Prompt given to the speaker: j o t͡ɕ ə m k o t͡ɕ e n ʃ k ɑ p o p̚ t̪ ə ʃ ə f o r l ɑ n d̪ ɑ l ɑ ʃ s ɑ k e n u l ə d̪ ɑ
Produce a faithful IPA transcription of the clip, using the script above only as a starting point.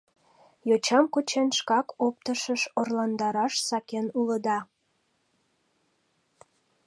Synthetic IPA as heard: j o t͡ɕ ɑ m k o t͡ɕ e n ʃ k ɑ k o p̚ t̪ ə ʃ ə ʃ o r l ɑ n d̪ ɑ ɾ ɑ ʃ s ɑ k e n u l ə d̪ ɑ